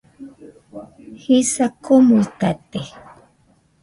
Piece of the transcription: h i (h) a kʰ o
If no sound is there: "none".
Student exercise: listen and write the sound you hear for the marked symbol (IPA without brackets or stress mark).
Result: s